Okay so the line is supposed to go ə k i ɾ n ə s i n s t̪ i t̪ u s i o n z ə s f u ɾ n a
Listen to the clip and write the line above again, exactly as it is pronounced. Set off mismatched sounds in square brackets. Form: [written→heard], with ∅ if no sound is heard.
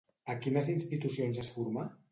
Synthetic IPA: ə k i [ɾ→∅] n ə [s→z] i n s t̪ i t̪ u s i o n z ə s f u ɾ [n→m] a